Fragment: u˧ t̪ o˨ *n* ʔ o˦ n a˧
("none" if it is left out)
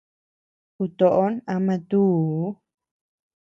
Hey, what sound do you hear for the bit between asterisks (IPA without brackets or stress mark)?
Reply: none